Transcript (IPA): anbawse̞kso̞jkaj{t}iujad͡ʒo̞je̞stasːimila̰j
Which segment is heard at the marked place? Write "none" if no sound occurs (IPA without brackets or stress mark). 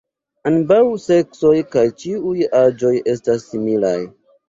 t͡ʃ